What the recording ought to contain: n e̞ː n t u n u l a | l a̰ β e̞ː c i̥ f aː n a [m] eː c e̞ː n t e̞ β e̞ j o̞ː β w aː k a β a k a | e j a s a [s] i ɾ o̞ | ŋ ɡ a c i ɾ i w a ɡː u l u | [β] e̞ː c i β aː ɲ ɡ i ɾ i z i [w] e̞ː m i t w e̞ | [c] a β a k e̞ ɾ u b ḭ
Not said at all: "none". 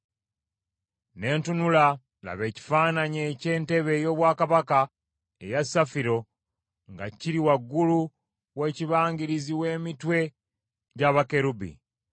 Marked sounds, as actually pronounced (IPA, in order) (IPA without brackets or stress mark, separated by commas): ɲ, f, w, w, ɟ